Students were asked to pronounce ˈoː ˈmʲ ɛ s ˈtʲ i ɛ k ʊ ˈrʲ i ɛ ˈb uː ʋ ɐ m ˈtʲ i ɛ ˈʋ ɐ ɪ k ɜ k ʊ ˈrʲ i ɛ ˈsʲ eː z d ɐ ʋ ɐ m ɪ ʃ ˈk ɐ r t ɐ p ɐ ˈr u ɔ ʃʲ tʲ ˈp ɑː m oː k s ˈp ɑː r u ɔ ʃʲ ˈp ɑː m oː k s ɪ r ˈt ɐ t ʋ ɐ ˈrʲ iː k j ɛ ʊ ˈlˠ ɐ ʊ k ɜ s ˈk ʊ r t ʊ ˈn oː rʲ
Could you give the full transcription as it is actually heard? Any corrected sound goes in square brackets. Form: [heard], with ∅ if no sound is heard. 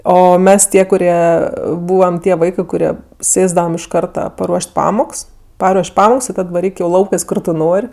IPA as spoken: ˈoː ˈmʲ ɛ s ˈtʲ i ɛ k ʊ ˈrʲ i ɛ ˈb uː ʋ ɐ m ˈtʲ i ɛ ˈʋ ɐ ɪ k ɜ k ʊ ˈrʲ i ɛ ˈsʲ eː z d ɐ ʋ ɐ m ɪ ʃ ˈk ɐ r t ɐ p ɐ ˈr u ɔ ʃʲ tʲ ˈp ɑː m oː k s ˈp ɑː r u ɔ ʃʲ ˈp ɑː m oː k s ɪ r ˈt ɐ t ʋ ɐ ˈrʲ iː k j ɛ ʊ ˈlˠ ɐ ʊ k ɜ s ˈk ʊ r t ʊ ˈn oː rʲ